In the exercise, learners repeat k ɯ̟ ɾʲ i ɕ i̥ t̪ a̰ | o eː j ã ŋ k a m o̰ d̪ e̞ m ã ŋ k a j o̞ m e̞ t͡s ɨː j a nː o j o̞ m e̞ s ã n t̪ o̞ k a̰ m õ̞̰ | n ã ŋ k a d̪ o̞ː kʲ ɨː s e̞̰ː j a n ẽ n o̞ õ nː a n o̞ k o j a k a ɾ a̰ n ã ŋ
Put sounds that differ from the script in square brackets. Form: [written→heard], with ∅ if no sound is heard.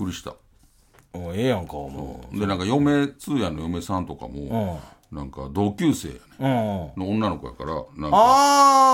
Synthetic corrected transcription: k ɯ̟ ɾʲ i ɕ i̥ t̪ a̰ | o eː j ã ŋ k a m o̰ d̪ e̞ [m→n] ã ŋ k a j o̞ m e̞ t͡s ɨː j a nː o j o̞ m e̞ s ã n t̪ o̞ k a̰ m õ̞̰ | n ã ŋ k a d̪ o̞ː kʲ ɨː s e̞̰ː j a n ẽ n o̞ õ nː a n o̞ k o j a k a ɾ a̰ n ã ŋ